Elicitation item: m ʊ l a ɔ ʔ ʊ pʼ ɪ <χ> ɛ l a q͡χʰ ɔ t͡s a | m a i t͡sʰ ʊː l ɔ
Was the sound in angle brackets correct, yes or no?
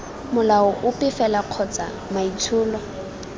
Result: no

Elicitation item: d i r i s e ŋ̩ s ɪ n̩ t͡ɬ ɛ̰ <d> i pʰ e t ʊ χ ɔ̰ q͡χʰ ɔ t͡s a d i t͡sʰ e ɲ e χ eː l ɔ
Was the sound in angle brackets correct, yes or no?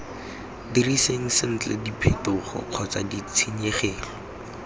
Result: yes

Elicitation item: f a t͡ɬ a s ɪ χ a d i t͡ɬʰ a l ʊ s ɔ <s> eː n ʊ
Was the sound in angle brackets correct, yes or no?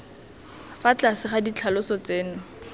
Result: no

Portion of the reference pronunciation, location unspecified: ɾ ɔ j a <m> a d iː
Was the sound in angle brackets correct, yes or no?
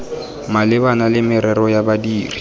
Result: no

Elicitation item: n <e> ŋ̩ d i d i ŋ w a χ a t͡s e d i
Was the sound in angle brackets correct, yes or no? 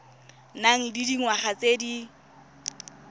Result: no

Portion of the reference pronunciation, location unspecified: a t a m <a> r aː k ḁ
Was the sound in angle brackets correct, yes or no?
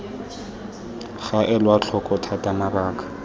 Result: yes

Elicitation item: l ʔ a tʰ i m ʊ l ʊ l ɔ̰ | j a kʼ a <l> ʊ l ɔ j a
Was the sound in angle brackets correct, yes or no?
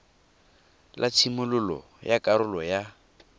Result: no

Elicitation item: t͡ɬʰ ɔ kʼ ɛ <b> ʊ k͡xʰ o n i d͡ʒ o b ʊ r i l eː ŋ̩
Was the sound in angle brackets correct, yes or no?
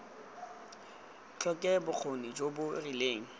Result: yes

